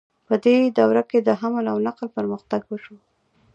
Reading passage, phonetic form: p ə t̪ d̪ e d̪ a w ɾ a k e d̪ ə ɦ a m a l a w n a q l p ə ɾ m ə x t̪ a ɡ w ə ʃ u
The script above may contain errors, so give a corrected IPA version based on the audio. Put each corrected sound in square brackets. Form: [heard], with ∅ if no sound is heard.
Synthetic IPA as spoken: p ə [∅] d̪ e d̪ a w ɾ a k e d̪ ə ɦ a m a l a w n a q l p ə ɾ m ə x t̪ a ɡ w ə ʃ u